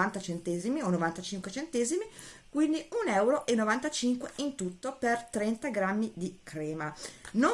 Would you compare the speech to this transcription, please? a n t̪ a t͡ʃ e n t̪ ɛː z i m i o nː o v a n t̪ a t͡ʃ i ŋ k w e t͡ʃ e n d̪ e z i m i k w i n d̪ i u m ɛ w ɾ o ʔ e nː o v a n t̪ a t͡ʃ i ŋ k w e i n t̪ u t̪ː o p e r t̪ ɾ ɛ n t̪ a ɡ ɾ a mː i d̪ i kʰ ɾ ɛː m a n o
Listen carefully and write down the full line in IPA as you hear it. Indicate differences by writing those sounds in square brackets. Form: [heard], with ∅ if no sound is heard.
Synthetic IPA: a n t̪ a t͡ʃ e n t̪ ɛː z i m i o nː o v a n t̪ a t͡ʃ i ŋ k w e t͡ʃ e n [t̪] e z i m i k w i n d̪ i u [n] ɛ w ɾ o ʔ e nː o v a n t̪ a t͡ʃ i ŋ k w e i n t̪ u t̪ː o p e r t̪ ɾ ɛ n t̪ a ɡ ɾ a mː i d̪ i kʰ ɾ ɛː m a n o